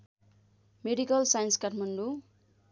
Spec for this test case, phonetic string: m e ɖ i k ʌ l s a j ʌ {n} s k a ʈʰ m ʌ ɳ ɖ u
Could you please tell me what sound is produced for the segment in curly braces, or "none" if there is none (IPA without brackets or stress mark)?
n